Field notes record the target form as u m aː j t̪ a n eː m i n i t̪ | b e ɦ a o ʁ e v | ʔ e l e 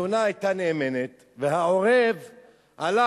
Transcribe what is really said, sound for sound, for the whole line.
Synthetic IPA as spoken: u n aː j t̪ a n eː m e n e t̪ | v e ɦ a o ʁ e v | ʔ a l a